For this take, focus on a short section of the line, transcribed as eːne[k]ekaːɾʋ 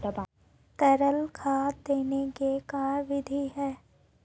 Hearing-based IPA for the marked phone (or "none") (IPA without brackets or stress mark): k